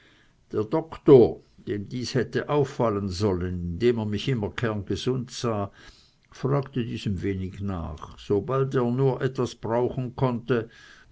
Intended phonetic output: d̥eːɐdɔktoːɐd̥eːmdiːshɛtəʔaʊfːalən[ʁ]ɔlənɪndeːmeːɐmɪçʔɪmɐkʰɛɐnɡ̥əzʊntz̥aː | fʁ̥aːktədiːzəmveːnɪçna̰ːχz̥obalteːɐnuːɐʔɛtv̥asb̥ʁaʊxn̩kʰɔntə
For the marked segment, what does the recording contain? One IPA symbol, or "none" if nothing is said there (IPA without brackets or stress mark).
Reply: z